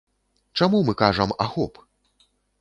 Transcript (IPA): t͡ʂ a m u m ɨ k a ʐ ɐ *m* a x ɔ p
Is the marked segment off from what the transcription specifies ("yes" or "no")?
no